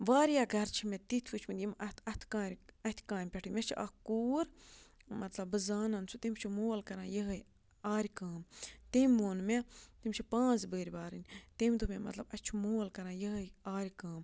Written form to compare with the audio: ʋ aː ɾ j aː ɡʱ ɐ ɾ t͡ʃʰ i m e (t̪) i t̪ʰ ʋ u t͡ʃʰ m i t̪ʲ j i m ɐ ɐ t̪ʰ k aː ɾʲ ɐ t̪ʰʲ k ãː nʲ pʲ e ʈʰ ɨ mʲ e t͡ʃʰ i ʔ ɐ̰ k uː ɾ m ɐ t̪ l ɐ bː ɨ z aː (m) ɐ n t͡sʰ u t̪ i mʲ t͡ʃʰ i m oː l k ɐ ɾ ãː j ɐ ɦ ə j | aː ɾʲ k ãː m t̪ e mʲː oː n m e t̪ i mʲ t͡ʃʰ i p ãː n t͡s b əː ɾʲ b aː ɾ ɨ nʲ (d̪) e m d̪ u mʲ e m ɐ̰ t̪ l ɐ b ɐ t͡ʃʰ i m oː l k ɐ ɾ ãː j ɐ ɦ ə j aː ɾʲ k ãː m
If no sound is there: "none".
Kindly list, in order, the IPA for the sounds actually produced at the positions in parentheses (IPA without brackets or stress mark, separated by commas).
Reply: t̪, n, t̪